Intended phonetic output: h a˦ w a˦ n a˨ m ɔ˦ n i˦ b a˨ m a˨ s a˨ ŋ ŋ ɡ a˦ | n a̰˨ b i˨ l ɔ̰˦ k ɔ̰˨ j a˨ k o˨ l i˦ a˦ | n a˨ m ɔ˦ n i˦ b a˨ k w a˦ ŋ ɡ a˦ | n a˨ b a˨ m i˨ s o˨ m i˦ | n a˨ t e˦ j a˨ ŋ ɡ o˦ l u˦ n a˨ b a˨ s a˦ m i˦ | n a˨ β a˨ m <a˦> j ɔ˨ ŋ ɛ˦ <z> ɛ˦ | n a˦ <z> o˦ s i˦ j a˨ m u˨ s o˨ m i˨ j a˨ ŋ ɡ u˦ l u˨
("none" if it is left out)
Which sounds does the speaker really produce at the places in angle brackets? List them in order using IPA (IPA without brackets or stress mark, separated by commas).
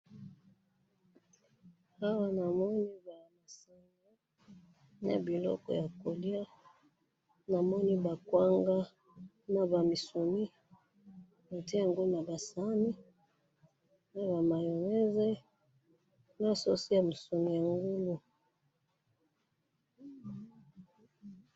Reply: a˨, z, s